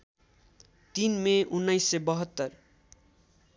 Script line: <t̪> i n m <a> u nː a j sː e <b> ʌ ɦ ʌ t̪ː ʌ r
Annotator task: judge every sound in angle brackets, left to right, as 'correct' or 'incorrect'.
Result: correct, incorrect: e, correct

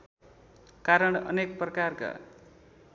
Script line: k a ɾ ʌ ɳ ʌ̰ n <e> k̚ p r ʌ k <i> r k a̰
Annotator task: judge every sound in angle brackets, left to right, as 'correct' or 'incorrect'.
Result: correct, incorrect: a

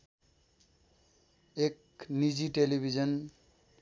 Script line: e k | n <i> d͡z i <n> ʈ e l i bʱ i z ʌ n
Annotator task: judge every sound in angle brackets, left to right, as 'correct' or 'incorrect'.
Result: correct, incorrect: none

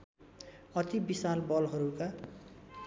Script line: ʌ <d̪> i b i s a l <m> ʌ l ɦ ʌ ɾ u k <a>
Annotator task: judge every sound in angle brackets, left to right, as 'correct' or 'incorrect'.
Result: incorrect: t̪, incorrect: b, correct

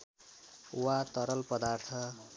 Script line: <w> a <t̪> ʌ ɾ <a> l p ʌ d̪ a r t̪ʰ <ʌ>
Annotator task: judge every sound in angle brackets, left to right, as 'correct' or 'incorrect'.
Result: correct, correct, incorrect: ʌ, correct

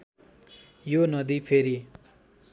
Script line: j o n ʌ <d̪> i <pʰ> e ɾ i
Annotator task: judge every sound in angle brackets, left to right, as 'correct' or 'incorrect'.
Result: correct, correct

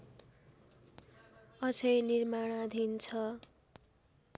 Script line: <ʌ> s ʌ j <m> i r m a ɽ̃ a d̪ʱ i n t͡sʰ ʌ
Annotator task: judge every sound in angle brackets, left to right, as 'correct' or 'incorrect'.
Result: correct, incorrect: n

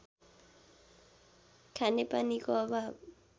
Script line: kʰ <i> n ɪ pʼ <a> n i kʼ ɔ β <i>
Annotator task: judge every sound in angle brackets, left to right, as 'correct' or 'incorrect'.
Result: incorrect: a, correct, incorrect: a

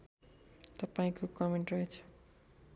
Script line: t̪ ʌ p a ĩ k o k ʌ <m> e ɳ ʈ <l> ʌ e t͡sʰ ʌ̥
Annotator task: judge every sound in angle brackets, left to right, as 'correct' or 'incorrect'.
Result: correct, incorrect: r

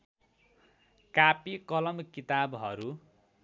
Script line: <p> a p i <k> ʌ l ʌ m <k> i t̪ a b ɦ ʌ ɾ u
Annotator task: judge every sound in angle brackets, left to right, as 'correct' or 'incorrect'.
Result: incorrect: k, correct, correct

